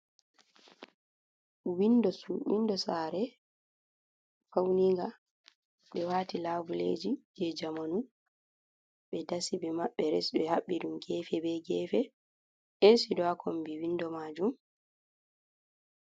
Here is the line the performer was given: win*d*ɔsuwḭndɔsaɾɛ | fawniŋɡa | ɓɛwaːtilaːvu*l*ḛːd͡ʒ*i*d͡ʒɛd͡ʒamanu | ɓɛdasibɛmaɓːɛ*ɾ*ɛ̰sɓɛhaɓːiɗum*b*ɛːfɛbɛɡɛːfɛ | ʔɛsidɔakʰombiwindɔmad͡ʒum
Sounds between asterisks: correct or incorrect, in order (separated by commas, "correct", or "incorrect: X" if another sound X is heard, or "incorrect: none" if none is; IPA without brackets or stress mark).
correct, correct, correct, correct, incorrect: ɡ